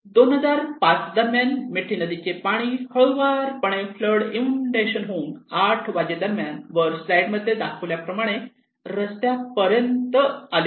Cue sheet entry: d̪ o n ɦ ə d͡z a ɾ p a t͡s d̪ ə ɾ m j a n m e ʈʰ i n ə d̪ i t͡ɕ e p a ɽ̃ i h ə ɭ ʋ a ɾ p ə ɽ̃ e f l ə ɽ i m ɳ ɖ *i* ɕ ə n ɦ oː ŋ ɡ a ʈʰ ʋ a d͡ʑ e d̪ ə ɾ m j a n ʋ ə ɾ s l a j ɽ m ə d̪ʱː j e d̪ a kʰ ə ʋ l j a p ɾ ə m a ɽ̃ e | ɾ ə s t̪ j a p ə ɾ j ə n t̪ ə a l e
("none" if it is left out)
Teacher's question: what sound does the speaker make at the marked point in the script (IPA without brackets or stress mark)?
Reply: e